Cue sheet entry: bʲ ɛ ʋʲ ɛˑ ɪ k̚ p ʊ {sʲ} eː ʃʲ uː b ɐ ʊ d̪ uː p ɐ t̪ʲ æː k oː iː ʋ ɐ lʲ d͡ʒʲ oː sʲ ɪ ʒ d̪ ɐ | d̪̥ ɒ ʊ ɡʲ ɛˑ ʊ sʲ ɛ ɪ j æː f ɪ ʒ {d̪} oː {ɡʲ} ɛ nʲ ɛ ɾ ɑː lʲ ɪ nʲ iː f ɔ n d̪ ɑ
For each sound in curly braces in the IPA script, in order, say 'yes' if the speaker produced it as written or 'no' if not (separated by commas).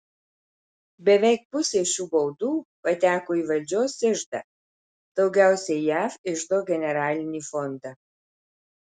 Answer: yes, yes, yes